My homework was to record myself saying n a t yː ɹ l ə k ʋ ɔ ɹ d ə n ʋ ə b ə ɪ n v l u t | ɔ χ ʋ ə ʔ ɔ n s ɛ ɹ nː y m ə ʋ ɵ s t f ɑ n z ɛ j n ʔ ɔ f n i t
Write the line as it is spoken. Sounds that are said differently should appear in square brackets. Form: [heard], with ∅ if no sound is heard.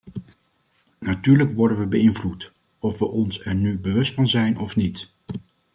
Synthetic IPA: n a t yː ɹ l ə k ʋ ɔ ɹ d ə n ʋ ə b ə ɪ n v l u t | ɔ [f] ʋ ə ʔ ɔ n s ɛ ɹ [n] y [b] ə ʋ ɵ s t f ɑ n z ɛ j n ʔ ɔ f n i t